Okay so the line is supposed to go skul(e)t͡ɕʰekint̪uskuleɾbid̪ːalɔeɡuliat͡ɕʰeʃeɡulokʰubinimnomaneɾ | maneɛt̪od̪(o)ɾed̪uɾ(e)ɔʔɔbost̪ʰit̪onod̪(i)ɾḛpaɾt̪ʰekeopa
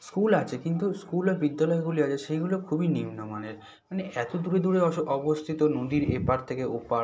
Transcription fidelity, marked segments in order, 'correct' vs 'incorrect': incorrect, incorrect, correct, correct

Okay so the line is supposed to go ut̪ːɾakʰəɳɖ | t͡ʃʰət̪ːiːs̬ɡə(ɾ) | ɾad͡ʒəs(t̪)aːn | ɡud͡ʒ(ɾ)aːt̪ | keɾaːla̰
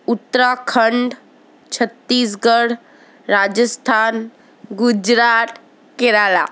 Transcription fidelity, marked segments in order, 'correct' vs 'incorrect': incorrect, incorrect, correct

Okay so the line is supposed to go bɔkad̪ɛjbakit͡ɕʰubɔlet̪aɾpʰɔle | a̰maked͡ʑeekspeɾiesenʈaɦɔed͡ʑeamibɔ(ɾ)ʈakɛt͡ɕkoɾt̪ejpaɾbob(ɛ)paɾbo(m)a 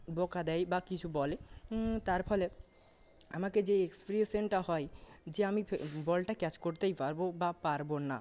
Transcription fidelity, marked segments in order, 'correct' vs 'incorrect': incorrect, incorrect, incorrect

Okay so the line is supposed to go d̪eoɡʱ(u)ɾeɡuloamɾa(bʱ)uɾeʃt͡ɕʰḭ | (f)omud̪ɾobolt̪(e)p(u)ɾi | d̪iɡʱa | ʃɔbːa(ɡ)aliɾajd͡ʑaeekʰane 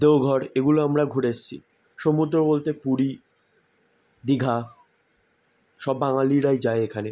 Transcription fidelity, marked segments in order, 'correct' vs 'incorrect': incorrect, incorrect, incorrect, correct, correct, incorrect

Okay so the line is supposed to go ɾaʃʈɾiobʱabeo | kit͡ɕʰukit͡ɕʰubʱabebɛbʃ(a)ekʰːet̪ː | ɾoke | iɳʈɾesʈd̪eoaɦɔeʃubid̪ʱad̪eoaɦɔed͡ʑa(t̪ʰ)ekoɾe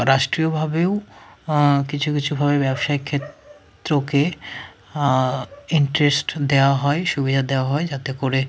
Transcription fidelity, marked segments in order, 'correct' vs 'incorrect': correct, incorrect

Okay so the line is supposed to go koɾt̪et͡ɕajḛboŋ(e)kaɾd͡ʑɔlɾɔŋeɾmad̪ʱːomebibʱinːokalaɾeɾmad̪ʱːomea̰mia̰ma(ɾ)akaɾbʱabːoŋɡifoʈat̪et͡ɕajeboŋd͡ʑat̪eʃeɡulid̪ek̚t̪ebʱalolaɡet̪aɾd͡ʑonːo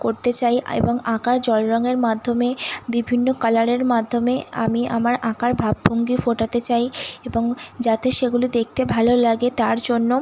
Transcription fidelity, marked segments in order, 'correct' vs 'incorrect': incorrect, correct

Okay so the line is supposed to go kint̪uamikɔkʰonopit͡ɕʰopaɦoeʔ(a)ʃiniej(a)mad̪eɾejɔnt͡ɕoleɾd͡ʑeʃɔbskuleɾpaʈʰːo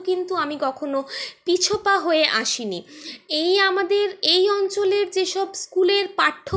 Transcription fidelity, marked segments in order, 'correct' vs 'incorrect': correct, correct

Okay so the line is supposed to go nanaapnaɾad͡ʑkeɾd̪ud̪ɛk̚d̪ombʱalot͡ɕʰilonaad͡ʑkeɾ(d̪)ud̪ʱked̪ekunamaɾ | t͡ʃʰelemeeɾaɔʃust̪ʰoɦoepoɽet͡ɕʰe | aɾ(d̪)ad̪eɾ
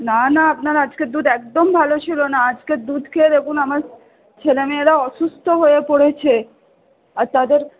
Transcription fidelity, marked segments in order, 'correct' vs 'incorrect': correct, incorrect

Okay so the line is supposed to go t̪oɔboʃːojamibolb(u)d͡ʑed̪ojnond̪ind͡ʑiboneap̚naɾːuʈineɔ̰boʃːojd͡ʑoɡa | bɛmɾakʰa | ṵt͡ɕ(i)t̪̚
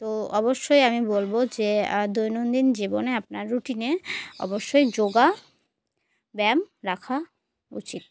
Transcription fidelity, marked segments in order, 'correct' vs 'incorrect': incorrect, correct

